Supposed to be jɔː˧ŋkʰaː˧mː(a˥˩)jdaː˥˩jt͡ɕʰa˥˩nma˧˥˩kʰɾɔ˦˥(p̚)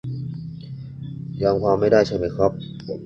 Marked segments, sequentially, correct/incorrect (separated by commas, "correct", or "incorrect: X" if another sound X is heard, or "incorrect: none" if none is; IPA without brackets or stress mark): correct, correct